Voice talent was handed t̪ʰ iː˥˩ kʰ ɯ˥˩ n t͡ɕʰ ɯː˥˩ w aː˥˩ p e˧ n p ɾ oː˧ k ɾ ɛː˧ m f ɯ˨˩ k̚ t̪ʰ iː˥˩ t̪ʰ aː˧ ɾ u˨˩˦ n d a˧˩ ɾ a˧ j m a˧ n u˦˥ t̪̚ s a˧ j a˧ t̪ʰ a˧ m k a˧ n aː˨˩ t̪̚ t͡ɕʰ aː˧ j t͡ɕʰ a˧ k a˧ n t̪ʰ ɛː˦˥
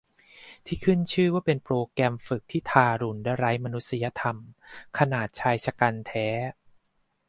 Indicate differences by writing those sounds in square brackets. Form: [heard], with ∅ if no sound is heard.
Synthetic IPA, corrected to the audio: t̪ʰ iː˥˩ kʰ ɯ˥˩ n t͡ɕʰ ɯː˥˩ w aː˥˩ p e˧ n p ɾ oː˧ k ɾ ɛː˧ m f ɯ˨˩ k̚ t̪ʰ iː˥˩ t̪ʰ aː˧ ɾ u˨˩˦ n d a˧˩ ɾ [a˦˥] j m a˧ n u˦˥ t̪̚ s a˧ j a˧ t̪ʰ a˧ m [kʰ] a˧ n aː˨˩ t̪̚ t͡ɕʰ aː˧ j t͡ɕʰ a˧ k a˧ n t̪ʰ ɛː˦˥